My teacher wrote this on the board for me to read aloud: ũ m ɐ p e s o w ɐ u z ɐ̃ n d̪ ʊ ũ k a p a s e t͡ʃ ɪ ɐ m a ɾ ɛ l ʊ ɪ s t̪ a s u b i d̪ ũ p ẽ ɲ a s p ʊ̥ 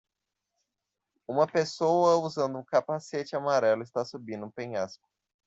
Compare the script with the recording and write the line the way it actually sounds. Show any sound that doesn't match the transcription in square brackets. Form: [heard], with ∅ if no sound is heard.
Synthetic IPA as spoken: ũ m ɐ p e s o w ɐ u z ɐ̃ n d̪ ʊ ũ k a p a s e t͡ʃ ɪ [a] m a ɾ ɛ l ʊ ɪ s t̪ a s u b [ĩ] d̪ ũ p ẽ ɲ a s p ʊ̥